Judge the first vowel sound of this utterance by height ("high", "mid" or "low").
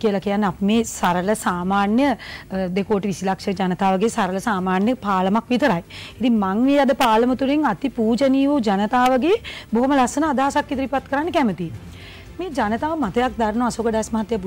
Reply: high